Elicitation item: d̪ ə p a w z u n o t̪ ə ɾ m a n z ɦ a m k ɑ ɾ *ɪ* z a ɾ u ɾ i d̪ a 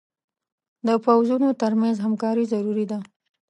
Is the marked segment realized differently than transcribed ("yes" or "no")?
yes